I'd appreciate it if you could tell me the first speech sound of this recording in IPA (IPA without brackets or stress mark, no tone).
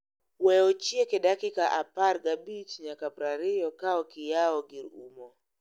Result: w